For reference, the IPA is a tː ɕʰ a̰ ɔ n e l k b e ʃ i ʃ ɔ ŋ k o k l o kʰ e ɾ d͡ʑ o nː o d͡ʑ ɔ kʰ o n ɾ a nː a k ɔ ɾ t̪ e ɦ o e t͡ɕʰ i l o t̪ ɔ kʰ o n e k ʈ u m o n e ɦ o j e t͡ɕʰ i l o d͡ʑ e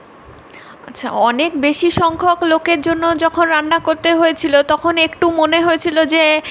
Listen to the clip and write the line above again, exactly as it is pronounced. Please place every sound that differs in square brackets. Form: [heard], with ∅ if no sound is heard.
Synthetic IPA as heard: a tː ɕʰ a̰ ɔ n e [∅] k b e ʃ i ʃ ɔ ŋ [kʰ] o k l o [k] e ɾ d͡ʑ o nː o d͡ʑ ɔ kʰ o n ɾ a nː a k [o] ɾ t̪ e ɦ o e t͡ɕʰ i l o t̪ ɔ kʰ o n e k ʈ u m o n e ɦ o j e t͡ɕʰ i l o d͡ʑ e